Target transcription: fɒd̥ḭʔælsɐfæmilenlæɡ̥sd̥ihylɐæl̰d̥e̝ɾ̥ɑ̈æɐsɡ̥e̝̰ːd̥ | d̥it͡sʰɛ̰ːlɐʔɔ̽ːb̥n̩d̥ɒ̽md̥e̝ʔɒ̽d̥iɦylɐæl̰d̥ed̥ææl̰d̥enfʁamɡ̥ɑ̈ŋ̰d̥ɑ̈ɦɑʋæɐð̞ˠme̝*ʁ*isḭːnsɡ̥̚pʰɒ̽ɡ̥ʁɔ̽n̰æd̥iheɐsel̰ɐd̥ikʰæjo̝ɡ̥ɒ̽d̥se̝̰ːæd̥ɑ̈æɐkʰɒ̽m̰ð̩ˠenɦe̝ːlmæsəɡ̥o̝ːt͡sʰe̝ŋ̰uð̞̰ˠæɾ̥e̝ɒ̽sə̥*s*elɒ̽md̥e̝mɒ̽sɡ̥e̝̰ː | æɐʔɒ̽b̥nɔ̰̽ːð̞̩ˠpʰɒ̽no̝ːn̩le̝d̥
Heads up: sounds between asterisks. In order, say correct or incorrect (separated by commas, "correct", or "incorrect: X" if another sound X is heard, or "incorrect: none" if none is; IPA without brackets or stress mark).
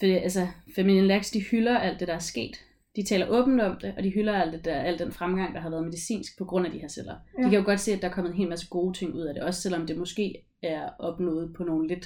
incorrect: ð, correct